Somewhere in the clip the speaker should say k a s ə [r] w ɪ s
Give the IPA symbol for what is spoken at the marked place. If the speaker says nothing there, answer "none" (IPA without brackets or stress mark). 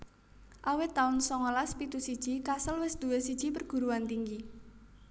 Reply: l